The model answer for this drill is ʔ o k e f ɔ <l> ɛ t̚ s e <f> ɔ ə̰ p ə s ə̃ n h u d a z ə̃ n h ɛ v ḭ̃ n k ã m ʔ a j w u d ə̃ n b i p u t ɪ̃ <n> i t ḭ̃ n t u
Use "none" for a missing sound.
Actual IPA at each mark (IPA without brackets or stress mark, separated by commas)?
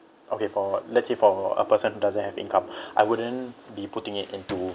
l, f, ŋ